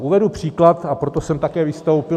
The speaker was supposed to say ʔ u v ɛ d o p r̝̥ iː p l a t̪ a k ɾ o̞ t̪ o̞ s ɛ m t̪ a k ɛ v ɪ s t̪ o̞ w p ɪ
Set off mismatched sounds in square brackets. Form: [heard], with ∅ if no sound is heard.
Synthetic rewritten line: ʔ u v ɛ d [u] p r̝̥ iː [k] l a t̪ a [p] ɾ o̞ t̪ o̞ s ɛ m t̪ a k [ɛː] v ɪ s t̪ o̞ w p ɪ

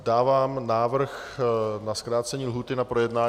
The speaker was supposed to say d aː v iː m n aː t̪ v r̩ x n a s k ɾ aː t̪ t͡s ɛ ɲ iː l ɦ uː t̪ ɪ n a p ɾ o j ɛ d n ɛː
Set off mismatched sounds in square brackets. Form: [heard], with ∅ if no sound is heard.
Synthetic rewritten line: d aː v [aː] m n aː [∅] v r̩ x n a s k ɾ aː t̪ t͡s ɛ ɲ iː l ɦ uː t̪ ɪ n a p ɾ o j ɛ d n [aː]

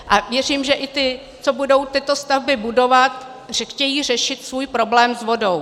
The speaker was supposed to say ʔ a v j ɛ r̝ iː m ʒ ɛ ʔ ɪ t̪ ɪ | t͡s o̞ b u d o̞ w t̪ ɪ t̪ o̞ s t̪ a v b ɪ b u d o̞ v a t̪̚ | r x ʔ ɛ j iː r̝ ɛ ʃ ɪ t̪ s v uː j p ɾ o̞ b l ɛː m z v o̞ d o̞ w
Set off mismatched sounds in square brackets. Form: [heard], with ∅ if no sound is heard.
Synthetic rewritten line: ʔ a v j ɛ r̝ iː m ʒ ɛ ʔ ɪ t̪ ɪ | t͡s o̞ b u d o̞ w t̪ ɪ t̪ o̞ s t̪ a v b ɪ b u d o̞ v a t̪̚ | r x [c] ɛ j iː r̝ ɛ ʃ ɪ t̪ s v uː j p ɾ o̞ b l ɛː m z v o̞ d o̞ w

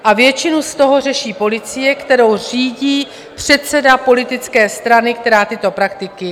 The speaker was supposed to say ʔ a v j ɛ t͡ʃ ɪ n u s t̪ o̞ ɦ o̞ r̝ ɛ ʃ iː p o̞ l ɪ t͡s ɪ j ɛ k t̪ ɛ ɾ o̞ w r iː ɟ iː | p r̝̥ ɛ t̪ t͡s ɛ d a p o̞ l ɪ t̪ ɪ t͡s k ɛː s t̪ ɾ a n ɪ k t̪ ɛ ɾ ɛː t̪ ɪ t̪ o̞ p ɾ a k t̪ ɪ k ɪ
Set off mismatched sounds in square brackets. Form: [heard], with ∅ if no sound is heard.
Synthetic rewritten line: ʔ a v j ɛ t͡ʃ ɪ n u s t̪ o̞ ɦ o̞ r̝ ɛ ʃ iː p o̞ l ɪ t͡s ɪ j ɛ k t̪ ɛ ɾ o̞ w r iː ɟ iː | p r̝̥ ɛ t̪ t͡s ɛ d a p o̞ l ɪ t̪ ɪ t͡s k ɛː s t̪ ɾ a n ɪ k t̪ ɛ ɾ [aː] t̪ ɪ t̪ o̞ p ɾ a k t̪ ɪ k ɪ

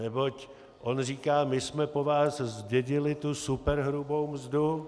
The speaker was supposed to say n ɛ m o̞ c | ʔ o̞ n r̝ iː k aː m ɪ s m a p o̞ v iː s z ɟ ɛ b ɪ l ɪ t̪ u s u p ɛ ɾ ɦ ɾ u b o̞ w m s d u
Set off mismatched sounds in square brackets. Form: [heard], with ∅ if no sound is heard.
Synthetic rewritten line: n ɛ [b] o̞ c | ʔ o̞ n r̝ iː k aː m ɪ s m [ɛ] p o̞ v [aː] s z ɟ ɛ [ɟ] ɪ l ɪ t̪ u s u p ɛ ɾ ɦ ɾ u b o̞ w m [z] d u

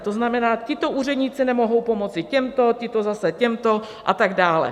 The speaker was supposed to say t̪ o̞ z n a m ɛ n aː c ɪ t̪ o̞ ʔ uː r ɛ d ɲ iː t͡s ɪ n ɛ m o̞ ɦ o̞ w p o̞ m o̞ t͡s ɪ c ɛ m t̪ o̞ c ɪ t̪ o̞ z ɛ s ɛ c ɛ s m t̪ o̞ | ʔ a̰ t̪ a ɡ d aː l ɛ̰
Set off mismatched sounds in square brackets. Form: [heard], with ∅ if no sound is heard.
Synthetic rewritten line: t̪ o̞ z n a m ɛ n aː c ɪ t̪ o̞ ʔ uː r ɛ d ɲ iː t͡s ɪ n ɛ m o̞ ɦ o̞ w p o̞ m o̞ t͡s ɪ c ɛ m t̪ o̞ c ɪ t̪ o̞ z [a] s ɛ c ɛ [∅] m t̪ o̞ | ʔ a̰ t̪ a ɡ d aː l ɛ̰

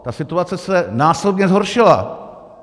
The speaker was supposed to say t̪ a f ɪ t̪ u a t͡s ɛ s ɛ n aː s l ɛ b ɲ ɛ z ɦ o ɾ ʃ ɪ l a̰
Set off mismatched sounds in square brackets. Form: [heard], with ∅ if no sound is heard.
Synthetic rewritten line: t̪ a [s] ɪ t̪ u a t͡s ɛ s ɛ n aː s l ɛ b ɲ ɛ z ɦ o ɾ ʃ ɪ l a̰

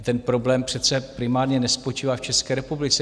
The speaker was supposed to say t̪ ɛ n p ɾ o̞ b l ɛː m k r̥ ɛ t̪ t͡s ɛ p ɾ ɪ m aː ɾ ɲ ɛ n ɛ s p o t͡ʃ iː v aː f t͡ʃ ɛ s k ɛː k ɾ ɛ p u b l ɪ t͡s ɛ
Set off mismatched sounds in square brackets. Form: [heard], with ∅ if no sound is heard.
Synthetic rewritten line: t̪ ɛ n p ɾ o̞ b l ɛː m [p] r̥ ɛ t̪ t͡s ɛ p ɾ ɪ m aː ɾ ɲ ɛ n ɛ s p o t͡ʃ iː v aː f t͡ʃ ɛ s k ɛː [∅] ɾ ɛ p u b l ɪ t͡s ɛ

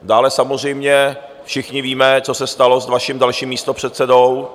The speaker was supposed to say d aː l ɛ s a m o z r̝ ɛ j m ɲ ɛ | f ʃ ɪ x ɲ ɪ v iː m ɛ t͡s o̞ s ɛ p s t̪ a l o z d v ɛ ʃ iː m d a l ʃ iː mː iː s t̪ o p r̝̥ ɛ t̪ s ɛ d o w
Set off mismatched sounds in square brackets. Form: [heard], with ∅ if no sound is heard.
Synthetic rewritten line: d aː l ɛ s a m o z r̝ ɛ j m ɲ ɛ | f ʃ ɪ x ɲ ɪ v iː m ɛ t͡s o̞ s ɛ [∅] s t̪ a l o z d v [a] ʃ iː m d a l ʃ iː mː iː s t̪ o p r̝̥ ɛ t̪ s ɛ d o w

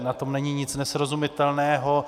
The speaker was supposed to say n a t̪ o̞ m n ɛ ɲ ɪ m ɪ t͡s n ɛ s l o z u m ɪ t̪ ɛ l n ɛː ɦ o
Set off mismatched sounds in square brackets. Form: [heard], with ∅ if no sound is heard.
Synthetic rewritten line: n a t̪ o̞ m n ɛ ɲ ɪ [ɲ] ɪ t͡s n ɛ s [ɾ] o z u m ɪ t̪ ɛ l n ɛː ɦ o

